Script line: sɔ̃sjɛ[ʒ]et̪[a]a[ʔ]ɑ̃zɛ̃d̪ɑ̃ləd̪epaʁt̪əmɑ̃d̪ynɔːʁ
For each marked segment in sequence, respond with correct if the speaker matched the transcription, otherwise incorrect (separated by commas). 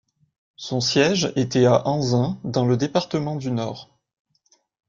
correct, incorrect, correct